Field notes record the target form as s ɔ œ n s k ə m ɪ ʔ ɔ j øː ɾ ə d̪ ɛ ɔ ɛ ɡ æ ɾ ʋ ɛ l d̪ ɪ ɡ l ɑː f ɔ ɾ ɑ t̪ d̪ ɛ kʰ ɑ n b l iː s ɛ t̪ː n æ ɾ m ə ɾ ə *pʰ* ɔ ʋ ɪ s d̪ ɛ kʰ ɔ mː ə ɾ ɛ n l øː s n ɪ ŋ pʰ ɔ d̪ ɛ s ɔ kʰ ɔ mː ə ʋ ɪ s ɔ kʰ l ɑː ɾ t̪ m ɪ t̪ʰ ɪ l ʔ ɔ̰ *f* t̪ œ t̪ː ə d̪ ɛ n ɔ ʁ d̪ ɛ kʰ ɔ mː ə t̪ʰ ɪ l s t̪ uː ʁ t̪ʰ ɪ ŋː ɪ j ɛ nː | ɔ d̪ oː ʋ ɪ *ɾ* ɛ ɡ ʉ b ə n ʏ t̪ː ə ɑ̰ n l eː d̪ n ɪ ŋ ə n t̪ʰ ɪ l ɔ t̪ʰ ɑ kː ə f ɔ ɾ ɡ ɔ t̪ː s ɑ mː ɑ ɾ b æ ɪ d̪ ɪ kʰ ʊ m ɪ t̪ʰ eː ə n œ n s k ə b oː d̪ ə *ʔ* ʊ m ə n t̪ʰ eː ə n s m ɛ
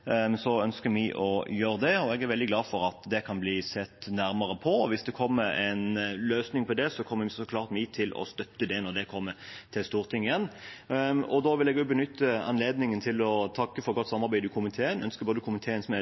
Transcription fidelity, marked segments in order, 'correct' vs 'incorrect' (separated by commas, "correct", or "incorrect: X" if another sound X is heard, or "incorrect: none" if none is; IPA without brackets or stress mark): correct, incorrect: s, incorrect: l, incorrect: k